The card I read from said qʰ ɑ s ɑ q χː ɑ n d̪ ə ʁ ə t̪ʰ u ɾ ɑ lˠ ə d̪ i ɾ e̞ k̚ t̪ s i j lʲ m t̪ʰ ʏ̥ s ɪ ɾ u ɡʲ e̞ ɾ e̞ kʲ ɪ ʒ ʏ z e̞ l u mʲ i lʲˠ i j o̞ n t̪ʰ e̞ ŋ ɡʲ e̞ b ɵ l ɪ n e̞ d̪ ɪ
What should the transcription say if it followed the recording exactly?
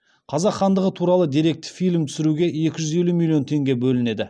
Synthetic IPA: qʰ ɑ z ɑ q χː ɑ n d̪ ə ʁ ə t̪ʰ u ɾ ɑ lˠ ə d̪ i ɾ e̞ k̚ t̪ f i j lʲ m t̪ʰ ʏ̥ s ɪ ɾ u ɡʲ e̞ e̞ kʲ ɪ ʒ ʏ z e̞ l u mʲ i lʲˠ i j o̞ n t̪ʰ e̞ ŋ ɡʲ e̞ b ɵ l ɪ n e̞ d̪ ɪ